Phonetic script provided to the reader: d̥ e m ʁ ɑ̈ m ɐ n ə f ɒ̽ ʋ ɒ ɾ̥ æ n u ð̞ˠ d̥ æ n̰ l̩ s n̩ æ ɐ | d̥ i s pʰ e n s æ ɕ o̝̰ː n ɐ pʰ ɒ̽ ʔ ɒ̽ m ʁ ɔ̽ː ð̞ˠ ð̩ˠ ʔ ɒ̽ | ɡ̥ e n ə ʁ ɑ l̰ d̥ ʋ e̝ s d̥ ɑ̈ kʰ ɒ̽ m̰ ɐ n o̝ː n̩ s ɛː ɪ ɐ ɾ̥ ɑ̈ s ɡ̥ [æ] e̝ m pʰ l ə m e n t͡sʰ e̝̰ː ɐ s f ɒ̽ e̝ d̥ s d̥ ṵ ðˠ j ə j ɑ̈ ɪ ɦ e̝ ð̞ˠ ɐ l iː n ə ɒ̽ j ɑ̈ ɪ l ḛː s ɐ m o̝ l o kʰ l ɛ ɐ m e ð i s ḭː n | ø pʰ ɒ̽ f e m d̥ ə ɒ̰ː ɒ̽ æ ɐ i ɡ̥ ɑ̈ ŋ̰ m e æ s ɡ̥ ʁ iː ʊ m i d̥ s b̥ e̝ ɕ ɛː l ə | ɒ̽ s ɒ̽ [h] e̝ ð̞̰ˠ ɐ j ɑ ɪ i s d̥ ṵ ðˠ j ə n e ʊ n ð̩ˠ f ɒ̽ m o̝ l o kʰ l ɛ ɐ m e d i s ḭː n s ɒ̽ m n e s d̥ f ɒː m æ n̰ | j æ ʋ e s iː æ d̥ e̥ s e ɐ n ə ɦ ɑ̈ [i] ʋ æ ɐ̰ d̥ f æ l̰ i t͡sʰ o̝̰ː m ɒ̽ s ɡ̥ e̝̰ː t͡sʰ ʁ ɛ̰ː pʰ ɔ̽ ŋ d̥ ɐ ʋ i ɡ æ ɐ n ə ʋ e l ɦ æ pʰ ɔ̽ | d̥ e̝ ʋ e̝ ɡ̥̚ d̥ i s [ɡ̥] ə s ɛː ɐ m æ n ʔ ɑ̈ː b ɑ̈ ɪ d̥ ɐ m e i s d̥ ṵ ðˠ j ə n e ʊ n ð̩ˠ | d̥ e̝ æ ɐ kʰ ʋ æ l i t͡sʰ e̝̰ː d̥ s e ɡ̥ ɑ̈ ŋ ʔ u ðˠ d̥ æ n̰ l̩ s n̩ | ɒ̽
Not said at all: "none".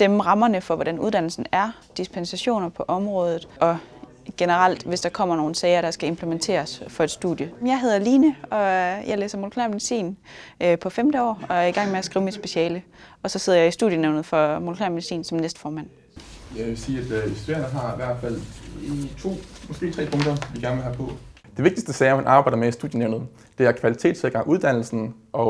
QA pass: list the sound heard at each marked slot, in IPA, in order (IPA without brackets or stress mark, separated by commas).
æ, s, i, d̥